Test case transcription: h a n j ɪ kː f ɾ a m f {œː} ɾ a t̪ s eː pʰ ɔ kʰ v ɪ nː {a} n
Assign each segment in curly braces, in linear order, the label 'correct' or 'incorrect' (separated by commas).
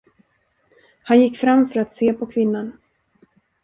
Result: incorrect, correct